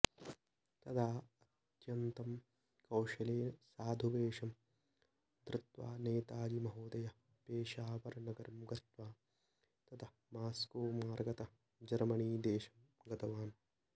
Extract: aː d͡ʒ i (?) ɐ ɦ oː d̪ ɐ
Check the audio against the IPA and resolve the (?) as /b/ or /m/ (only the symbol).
m